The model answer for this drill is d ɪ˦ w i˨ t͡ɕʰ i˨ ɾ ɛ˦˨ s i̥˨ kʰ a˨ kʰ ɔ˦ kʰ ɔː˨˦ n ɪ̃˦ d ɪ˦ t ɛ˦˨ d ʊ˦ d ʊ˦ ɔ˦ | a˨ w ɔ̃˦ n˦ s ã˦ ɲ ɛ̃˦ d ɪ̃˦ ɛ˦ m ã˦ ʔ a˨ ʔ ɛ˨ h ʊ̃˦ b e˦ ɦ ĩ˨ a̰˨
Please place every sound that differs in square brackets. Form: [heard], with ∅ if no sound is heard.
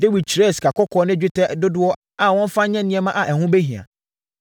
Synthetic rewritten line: d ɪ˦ w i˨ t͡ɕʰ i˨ ɾ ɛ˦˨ s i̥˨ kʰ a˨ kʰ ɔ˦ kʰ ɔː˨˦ n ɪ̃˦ [d͡ʑᶣ] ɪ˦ t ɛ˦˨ d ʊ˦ d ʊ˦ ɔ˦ | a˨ w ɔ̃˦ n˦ [f] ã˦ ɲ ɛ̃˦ [n] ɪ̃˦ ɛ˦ m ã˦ ʔ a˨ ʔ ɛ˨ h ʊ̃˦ b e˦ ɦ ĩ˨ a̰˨